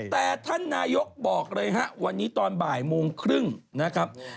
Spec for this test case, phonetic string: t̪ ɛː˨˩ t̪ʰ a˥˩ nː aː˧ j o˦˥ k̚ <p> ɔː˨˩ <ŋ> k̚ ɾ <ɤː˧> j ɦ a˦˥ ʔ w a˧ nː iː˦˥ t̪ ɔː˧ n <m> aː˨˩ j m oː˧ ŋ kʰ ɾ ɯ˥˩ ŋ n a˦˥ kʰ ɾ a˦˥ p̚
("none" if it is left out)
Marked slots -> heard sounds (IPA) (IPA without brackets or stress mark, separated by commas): b, none, ɤː˧, b